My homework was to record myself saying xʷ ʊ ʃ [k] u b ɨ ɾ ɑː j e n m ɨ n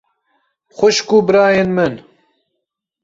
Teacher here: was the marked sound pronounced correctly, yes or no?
yes